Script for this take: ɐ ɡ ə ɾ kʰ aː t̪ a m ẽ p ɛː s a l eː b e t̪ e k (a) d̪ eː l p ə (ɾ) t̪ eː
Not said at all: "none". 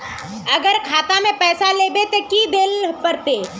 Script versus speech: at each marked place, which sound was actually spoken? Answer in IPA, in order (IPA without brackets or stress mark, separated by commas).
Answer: i, ɾ